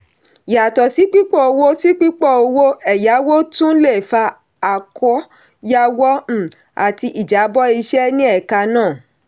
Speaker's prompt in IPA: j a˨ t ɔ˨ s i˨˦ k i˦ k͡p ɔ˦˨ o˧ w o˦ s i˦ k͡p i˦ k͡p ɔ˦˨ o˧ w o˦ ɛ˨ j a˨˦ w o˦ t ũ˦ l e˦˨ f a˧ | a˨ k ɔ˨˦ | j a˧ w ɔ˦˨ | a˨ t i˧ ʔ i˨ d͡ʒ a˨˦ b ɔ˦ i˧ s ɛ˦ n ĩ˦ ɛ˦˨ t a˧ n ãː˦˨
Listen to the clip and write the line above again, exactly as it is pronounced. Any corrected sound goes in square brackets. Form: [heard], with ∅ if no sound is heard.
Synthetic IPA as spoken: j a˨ t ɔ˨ s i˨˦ [k͡p] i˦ k͡p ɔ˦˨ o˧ w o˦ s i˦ k͡p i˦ k͡p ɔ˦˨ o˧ w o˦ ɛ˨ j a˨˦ w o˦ t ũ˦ l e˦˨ f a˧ | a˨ k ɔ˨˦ | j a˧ w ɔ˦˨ | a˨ t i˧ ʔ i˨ d͡ʒ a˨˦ b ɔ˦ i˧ [ʃ] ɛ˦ n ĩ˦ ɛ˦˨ [k] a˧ n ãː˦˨